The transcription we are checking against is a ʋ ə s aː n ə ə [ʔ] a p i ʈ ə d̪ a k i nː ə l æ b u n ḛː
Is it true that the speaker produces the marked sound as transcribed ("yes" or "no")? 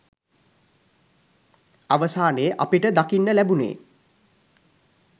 yes